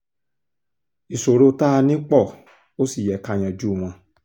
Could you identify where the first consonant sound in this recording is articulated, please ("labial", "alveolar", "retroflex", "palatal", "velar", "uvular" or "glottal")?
alveolar